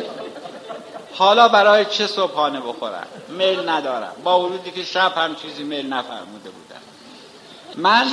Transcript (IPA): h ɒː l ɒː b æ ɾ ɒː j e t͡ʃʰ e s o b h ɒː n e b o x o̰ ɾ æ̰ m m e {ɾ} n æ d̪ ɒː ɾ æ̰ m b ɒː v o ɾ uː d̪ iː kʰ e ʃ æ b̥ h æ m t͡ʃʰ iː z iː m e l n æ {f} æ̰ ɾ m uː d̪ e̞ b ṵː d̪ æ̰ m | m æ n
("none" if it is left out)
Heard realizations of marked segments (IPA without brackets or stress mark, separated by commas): l, f